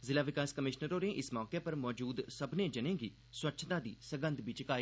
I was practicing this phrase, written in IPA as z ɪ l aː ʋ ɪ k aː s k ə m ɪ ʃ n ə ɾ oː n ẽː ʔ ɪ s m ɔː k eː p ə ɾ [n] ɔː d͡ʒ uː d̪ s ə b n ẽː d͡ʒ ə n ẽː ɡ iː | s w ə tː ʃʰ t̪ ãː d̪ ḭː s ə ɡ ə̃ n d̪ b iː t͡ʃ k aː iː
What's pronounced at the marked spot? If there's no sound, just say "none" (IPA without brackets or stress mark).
m